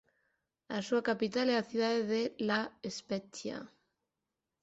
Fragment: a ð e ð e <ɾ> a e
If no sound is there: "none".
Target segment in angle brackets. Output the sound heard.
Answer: l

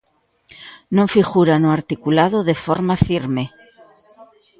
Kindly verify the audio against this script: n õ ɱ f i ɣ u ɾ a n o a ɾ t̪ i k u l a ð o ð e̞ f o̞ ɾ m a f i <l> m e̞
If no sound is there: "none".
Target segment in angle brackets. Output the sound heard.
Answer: ɾ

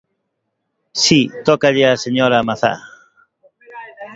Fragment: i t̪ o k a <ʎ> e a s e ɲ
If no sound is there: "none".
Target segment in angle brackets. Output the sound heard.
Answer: ʎ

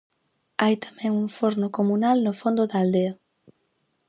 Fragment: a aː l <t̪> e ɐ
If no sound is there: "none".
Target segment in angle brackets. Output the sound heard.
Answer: d̪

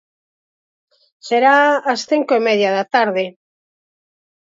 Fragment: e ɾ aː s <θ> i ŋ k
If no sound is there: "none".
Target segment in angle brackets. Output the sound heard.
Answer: θ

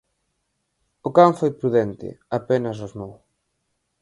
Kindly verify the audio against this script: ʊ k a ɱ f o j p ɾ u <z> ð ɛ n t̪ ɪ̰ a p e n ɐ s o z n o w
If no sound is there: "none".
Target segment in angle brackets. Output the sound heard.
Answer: none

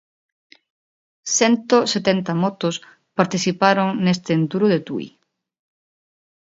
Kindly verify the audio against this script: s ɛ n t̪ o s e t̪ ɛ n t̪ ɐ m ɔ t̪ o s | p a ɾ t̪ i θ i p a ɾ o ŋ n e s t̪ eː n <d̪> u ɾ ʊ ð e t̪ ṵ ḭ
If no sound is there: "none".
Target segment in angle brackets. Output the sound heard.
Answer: t̪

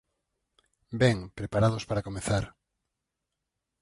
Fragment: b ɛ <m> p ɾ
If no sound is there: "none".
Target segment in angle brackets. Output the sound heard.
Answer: ŋ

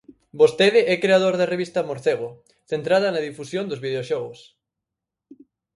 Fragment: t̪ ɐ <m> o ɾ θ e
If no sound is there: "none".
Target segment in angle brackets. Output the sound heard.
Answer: m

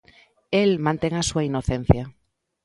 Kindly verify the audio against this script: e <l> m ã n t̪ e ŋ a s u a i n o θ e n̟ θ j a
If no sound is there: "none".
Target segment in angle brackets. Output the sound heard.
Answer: l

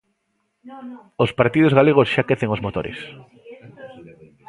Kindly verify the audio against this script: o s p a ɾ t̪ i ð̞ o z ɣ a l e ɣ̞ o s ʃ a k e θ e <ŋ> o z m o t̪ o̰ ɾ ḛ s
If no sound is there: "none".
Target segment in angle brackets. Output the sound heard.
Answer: ŋ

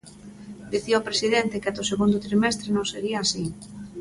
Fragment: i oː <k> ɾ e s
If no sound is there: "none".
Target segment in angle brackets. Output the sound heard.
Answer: p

